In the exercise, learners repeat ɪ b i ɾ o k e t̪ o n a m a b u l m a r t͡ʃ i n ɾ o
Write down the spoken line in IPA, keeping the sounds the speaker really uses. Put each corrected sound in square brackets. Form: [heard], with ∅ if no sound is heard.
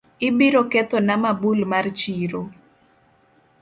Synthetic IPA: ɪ b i ɾ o k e t̪ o n a m a b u l m a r t͡ʃ i [∅] ɾ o